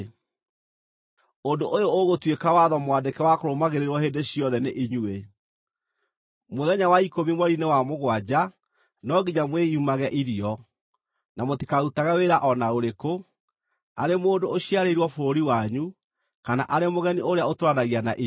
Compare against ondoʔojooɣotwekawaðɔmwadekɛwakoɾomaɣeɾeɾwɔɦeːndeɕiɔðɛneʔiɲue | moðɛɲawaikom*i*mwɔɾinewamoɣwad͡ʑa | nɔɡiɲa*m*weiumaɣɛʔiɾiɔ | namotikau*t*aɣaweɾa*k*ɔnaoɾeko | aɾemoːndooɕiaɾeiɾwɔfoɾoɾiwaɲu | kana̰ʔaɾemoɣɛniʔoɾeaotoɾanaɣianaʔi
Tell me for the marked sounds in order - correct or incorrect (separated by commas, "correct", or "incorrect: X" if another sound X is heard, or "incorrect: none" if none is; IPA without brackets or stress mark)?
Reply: correct, correct, correct, incorrect: ʔ